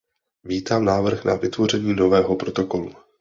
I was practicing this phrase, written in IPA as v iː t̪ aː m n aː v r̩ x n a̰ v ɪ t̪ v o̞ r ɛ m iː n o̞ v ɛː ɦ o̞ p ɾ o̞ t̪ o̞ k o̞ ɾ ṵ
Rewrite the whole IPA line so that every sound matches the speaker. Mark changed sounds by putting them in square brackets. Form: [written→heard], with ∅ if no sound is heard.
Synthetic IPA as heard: v iː t̪ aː m n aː v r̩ x n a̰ v ɪ t̪ v o̞ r ɛ [m→ɲ] iː n o̞ v ɛː ɦ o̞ p ɾ o̞ t̪ o̞ k o̞ [ɾ→l] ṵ